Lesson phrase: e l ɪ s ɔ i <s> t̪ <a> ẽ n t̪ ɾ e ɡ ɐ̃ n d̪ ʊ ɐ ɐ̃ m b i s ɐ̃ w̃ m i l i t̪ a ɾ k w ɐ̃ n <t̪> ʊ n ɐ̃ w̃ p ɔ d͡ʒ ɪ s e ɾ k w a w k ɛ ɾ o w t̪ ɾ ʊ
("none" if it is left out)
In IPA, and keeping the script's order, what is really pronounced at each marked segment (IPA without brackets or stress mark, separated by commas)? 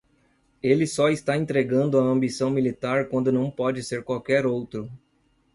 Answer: s, a, d̪